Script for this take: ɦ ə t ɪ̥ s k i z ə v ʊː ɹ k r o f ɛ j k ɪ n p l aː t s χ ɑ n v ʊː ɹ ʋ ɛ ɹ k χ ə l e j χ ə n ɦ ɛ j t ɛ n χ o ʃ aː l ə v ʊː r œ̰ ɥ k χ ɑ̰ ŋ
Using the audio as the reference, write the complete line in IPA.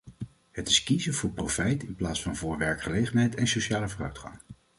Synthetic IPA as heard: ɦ ə t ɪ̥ s k i z ə v ʊː ɹ p r o f ɛ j t ɪ n p l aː t s f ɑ n v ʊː ɹ ʋ ɛ ɹ k χ ə l e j χ ə n ɦ ɛ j t ɛ n s o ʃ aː l ə v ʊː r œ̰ ɥ t χ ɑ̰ ŋ